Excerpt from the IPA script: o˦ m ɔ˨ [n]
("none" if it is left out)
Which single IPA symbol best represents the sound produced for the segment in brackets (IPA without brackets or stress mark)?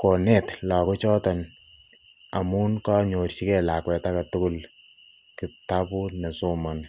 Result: n